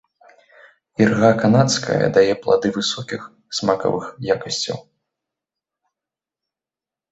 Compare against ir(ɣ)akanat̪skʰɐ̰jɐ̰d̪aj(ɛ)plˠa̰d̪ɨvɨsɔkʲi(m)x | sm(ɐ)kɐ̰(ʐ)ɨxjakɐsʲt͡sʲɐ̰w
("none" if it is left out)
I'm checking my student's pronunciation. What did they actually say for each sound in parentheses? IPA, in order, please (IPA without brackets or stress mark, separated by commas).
ɣ, ɛ, none, a, v